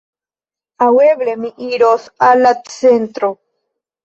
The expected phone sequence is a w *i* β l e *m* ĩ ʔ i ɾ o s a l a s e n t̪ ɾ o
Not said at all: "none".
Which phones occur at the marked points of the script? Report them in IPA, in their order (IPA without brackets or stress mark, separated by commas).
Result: e, m